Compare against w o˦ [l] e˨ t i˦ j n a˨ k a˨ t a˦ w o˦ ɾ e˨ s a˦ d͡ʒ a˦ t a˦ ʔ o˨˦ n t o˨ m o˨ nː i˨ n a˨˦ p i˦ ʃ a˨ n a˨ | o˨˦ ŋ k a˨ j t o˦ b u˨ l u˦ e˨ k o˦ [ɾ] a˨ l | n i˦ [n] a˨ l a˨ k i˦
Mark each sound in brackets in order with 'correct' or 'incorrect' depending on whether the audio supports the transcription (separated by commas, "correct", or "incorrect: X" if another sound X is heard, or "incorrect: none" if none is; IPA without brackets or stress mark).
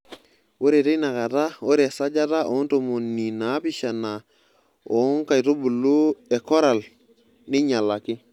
incorrect: ɾ, correct, incorrect: ɲ